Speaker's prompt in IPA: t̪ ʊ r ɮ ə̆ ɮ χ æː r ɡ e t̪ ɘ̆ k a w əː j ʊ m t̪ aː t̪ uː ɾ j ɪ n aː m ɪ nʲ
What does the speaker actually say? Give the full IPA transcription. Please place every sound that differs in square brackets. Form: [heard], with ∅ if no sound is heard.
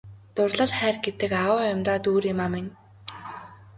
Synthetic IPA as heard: t̪ ʊ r ɮ ə̆ ɮ χ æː r ɡ e t̪ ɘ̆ k a w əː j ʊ m t̪ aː t̪ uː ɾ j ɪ [m] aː m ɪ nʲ